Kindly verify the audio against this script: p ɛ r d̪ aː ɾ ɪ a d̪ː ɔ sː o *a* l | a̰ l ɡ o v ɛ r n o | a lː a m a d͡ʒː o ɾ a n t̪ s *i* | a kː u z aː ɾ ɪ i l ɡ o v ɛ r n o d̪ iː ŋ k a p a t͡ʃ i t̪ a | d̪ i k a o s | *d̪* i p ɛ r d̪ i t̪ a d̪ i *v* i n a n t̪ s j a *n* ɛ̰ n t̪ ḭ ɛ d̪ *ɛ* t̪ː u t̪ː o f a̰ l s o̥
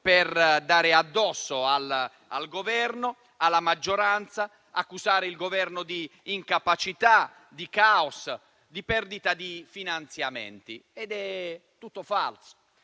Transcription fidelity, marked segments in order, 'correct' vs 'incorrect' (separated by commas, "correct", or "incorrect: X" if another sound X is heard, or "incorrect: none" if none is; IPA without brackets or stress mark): correct, incorrect: a, correct, incorrect: f, incorrect: m, correct